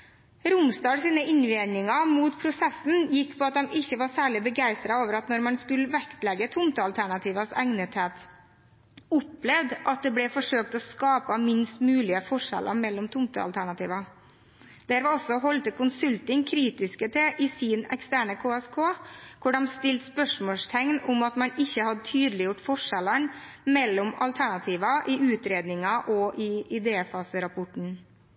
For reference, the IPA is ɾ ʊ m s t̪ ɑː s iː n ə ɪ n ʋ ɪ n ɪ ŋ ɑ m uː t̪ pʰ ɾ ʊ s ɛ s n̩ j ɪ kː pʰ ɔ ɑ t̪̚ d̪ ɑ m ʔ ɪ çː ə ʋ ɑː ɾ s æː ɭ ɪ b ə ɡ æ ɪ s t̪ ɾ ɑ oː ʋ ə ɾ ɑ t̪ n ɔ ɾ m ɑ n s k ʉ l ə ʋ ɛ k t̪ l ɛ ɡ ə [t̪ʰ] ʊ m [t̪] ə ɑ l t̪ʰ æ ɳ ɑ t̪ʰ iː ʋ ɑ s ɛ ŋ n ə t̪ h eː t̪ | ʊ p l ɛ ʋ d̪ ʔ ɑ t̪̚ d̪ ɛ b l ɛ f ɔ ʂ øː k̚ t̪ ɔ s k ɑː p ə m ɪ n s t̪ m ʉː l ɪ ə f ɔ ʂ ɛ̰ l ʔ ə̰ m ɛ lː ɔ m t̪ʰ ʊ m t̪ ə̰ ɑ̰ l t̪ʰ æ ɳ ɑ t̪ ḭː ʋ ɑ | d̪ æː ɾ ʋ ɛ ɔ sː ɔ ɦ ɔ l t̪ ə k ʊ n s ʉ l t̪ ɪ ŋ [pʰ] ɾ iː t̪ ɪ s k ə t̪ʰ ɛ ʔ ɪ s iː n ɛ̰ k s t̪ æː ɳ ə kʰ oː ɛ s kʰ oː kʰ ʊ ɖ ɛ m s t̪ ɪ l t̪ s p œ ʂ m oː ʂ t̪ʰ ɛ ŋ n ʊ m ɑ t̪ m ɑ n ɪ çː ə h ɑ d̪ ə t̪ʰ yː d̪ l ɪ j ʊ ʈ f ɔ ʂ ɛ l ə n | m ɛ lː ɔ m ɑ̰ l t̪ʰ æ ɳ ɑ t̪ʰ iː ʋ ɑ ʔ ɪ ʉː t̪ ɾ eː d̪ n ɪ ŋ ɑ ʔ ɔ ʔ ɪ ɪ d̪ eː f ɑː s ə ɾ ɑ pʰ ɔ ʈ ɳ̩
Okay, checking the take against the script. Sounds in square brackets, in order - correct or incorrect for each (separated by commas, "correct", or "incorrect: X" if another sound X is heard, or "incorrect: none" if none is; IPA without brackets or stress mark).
correct, correct, incorrect: kʰ